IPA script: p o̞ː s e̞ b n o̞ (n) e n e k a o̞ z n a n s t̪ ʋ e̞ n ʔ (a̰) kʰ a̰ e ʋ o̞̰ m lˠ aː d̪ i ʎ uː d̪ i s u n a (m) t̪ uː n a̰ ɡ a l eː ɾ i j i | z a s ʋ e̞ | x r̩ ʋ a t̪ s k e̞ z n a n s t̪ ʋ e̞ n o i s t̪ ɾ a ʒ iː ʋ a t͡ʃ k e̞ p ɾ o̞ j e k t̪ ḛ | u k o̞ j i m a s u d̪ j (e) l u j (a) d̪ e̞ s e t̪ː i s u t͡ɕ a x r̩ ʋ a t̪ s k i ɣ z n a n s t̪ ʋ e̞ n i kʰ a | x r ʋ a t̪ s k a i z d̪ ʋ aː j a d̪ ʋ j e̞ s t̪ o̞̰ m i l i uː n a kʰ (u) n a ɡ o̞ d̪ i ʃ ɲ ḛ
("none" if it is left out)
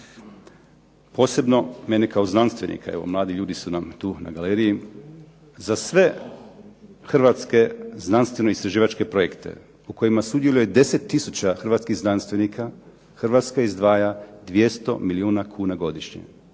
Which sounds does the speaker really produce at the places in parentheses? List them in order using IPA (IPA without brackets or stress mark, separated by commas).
m, ḭ, m, e, e, uː